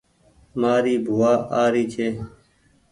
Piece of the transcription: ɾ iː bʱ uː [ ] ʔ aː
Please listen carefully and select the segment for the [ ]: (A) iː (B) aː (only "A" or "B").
B